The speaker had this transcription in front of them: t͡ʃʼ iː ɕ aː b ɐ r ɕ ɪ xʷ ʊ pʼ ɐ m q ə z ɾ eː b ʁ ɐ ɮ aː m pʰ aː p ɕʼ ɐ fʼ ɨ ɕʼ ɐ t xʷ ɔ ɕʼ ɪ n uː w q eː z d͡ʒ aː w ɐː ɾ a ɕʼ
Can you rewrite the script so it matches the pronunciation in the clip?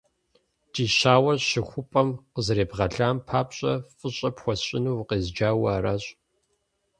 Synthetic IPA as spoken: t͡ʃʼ iː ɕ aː w ɐ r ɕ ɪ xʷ ʊ pʼ ɐ m q ə z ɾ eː b ʁ ɐ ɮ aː m pʰ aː p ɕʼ ɐ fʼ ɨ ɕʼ ɐ p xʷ ɔ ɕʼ ɪ n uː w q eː z d͡ʒ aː w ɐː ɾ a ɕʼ

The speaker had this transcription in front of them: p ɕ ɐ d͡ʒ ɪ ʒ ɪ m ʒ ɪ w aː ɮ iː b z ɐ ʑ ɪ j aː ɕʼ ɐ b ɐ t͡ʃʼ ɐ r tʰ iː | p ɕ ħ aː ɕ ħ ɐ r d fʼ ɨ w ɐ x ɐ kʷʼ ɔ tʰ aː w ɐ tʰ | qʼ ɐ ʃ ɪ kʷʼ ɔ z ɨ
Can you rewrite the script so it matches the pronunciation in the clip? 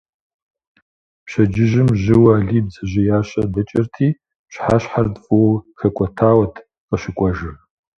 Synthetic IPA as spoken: p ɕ ɐ d͡ʒ ɪ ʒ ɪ m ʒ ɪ w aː ɮ iː b z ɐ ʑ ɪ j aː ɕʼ ɐ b ɐ t͡ʃʼ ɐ r tʰ iː | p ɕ ħ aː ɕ ħ a r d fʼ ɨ w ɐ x ɐ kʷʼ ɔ tʰ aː w ɐ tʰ | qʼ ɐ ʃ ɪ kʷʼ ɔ ʒ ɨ

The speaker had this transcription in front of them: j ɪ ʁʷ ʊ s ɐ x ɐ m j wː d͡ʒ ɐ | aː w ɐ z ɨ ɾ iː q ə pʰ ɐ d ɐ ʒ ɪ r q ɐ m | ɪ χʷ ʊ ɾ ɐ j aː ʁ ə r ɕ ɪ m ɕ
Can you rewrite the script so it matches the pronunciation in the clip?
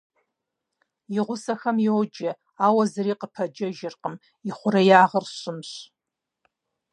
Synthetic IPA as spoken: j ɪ ʁʷ ʊ s ɐ x ɐ m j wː d͡ʒ ɐ | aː w ɐ z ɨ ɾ iː q ə pʰ ɐ d͡ʒ ɐ ʒ ɪ r q ə m | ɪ χʷ ʊ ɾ ɐ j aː ʁ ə r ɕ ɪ m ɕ

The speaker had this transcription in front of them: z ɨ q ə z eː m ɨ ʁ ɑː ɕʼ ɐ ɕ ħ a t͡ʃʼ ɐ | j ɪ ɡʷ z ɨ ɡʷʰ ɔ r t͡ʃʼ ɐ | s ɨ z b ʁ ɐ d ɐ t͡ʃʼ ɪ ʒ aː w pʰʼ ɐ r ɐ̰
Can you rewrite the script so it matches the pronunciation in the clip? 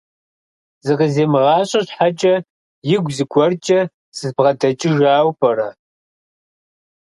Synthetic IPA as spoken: z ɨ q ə z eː m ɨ ʁ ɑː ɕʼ ɐ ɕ ħ a t͡ʃʼ ɐ | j ɪ ɡʷ z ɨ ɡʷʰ ɔ r t͡ʃʼ ɐ | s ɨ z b ʁ ɐ d ɐ t͡ʃʼ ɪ ʒ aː w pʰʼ ɐ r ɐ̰

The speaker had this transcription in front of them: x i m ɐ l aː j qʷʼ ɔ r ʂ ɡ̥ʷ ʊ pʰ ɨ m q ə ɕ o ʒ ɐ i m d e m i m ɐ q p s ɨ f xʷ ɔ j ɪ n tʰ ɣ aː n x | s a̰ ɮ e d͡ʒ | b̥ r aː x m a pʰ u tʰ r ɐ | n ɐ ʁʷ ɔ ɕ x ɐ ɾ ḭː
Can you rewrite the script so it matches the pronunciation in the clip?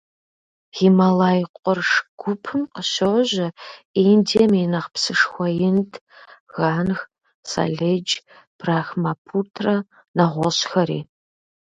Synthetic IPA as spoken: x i m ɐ l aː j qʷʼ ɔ r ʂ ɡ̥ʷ ʊ pʰ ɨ m q ə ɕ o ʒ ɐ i n d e m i n ɐ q p s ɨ ʂ xʷ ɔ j ɪ n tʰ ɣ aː n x | s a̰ ɮ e d͡ʒ | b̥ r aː x m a pʰ u tʰ r ɐ | n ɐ ʁʷ ɔ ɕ x ɐ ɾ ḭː

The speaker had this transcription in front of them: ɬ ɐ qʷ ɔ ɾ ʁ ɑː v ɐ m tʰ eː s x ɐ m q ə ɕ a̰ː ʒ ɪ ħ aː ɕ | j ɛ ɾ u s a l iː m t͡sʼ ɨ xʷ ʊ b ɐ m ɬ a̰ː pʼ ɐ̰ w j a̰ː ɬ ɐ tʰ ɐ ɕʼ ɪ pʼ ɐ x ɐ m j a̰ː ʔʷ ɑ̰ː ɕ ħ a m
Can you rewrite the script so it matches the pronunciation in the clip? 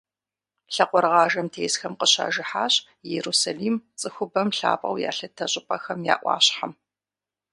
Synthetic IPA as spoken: ɬ ɐ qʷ ɔ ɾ ʁ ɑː ʒ ɐ m tʰ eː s x ɐ m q ə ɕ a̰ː ʒ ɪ ħ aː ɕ | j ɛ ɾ u s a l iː m t͡sʼ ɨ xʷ ʊ b ɐ m ɬ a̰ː pʼ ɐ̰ w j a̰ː ɬ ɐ tʰ ɐ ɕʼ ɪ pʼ ɐ x ɐ m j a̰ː ʔʷ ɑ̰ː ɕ ħ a m

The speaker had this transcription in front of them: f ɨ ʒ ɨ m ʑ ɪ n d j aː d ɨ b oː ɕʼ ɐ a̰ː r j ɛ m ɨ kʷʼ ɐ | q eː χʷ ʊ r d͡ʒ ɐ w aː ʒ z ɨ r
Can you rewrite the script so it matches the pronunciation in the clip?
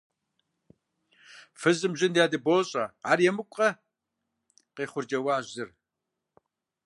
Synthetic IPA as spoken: f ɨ z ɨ m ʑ ɪ n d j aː d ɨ b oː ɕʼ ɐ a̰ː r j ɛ m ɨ kʷʼ ɐ | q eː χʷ ʊ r d͡ʒ ɐ w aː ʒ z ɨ r

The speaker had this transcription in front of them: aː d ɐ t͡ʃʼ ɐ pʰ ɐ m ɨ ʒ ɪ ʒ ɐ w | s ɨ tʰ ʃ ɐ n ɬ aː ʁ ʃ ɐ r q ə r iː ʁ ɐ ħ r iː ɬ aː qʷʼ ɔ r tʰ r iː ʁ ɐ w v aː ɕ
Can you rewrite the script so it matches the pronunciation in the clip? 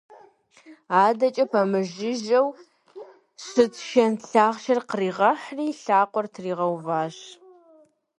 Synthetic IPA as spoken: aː d ɐ t͡ʃʼ ɐ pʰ ɐ m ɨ ʒ ɪ ʒ ɐ w | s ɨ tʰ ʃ ɐ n ɬ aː ʁ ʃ ɐ r q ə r iː ʁ ɐ ħ r iː ɬ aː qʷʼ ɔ r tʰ r iː ʁ ɐ w v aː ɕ

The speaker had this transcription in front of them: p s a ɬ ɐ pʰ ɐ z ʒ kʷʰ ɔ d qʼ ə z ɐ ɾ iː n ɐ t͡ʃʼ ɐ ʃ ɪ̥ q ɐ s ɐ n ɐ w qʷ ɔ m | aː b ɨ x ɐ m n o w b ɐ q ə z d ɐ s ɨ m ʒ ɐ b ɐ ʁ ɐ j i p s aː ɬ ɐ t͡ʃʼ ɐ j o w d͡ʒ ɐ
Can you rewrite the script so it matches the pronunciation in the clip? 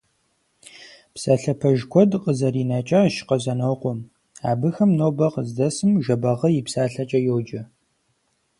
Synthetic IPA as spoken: p s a ɬ ɐ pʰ ɐ ʒ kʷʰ ɔ d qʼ ə z ɐ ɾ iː n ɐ t͡ʃʼ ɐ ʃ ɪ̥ q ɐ z ɐ n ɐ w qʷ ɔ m | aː b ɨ x ɐ m n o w b ɐ q ə z d ɐ s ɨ m ʒ ɐ b ɐ ʁ ɐ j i p s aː ɬ ɐ t͡ʃʼ ɐ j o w d͡ʒ ɐ

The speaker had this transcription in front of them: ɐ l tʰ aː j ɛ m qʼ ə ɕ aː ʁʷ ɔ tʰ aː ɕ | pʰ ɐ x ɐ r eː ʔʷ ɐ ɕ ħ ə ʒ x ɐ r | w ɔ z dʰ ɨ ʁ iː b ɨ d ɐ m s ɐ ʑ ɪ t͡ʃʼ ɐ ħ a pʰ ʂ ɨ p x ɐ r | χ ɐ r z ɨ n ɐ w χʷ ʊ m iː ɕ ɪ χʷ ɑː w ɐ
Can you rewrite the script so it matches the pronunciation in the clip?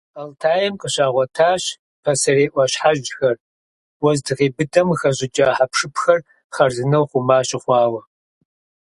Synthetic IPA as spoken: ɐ l tʰ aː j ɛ m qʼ ə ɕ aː ʁʷ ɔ tʰ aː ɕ | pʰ ɐ s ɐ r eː ʔʷ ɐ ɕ ħ a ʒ x ɐ r | w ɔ z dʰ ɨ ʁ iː b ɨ d ɐ m x ɐ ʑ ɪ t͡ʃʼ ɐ ħ a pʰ ʂ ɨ p x ɐ r | χ ɐ r z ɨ n ɐ w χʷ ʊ m aː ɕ ɪ χʷ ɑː w ɐ

